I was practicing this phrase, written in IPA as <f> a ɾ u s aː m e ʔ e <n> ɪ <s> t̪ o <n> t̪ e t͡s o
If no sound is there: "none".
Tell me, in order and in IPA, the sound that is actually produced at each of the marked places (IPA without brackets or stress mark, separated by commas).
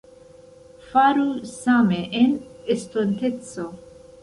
f, n, s, n